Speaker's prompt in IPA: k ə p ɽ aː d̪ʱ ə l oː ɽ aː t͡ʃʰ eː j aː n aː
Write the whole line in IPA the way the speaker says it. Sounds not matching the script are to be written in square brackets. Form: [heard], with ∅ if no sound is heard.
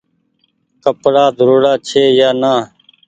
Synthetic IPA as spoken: k ə p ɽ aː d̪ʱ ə [ɾ] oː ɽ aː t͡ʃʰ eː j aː n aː